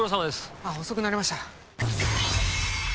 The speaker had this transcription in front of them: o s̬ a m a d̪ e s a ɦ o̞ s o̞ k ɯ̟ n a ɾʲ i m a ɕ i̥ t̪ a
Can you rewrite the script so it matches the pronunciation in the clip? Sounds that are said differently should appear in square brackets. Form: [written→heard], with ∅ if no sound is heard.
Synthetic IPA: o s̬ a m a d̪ e s a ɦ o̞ s o̞ k ɯ̟ n a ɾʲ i m a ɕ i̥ t̪ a